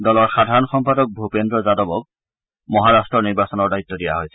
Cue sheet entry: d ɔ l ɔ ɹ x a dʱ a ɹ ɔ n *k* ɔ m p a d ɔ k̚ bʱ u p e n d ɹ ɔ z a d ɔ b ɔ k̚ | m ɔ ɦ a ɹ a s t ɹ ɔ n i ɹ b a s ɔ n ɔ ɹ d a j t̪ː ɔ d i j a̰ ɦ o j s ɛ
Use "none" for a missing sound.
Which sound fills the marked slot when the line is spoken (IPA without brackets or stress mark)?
x